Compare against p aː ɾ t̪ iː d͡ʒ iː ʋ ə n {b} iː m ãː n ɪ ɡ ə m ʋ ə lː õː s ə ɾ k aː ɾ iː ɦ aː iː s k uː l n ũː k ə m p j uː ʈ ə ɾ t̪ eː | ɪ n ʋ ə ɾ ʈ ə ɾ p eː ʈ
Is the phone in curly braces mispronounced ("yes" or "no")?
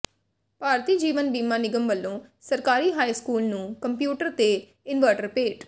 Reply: no